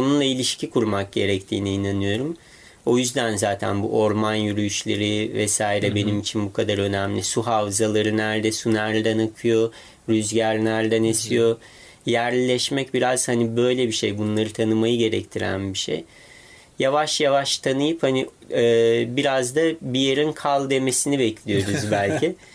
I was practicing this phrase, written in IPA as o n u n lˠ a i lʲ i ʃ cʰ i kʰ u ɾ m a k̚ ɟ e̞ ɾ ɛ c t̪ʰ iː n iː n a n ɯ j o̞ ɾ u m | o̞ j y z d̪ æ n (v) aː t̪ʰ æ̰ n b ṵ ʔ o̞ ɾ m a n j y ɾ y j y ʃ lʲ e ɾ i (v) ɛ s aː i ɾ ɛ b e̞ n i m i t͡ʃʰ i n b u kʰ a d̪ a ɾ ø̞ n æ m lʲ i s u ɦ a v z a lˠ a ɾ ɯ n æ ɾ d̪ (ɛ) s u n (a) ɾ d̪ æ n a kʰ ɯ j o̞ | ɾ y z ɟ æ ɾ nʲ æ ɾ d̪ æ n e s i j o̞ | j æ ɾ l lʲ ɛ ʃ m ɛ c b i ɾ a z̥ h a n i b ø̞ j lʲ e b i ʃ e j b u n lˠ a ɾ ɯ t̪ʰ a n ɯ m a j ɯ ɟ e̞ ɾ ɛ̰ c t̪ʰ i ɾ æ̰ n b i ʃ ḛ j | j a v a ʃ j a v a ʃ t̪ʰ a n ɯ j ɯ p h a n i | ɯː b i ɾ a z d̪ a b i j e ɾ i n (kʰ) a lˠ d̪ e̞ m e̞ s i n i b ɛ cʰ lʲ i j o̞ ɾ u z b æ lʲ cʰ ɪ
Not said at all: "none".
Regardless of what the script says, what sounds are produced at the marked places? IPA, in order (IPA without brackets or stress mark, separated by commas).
z, v, ɛ, æ, kʰ